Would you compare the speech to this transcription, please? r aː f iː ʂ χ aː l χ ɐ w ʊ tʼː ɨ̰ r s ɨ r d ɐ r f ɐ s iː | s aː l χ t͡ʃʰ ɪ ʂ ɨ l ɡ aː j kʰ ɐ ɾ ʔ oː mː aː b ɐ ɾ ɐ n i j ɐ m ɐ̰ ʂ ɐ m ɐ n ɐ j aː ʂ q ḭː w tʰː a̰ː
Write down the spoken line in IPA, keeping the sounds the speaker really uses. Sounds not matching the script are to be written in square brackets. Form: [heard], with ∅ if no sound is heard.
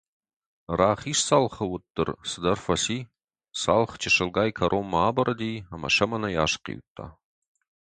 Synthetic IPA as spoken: r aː [χ] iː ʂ [s] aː l χ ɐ w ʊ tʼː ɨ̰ r s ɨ [∅] d ɐ r f ɐ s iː | s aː l χ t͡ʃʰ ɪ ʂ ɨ l ɡ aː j kʰ ɐ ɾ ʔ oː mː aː b ɐ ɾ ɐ [d] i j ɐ m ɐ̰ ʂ ɐ m ɐ n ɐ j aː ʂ q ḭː w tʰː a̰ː